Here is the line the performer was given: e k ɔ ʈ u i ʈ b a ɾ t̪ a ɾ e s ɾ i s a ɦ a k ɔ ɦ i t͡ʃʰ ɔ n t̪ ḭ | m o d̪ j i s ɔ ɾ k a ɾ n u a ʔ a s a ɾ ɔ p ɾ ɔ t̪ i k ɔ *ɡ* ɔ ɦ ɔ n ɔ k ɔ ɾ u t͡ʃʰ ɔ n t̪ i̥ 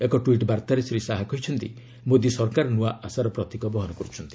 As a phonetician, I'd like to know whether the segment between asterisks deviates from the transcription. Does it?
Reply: yes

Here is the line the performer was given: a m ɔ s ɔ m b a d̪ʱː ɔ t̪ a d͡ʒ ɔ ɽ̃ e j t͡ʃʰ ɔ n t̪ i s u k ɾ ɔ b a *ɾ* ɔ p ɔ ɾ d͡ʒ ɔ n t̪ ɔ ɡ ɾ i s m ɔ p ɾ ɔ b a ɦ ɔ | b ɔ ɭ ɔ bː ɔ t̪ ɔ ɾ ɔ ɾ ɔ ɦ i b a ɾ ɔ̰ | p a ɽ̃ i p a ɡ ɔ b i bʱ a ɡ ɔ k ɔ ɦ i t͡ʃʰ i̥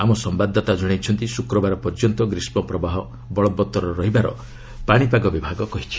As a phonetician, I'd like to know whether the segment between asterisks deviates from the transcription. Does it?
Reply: no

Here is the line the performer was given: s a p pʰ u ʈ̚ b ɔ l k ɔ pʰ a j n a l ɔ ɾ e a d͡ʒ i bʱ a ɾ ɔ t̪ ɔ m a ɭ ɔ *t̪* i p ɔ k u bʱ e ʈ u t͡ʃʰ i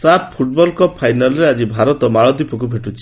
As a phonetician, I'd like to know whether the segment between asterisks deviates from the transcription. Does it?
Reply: yes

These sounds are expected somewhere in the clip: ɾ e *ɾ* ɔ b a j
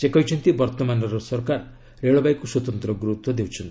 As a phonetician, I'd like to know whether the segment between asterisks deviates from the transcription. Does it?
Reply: yes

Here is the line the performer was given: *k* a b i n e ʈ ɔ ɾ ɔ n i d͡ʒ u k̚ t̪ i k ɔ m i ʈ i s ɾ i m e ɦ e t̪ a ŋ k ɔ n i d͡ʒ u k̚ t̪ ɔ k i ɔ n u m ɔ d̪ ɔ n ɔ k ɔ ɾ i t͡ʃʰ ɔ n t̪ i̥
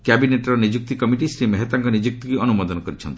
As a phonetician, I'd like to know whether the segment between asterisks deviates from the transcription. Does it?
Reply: no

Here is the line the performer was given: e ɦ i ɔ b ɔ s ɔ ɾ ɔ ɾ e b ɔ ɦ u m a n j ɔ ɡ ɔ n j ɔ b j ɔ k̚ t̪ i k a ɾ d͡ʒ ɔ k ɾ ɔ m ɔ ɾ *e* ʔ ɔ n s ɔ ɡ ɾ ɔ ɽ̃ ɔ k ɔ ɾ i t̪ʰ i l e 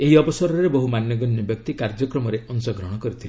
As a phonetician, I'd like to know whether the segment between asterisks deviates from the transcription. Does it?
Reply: no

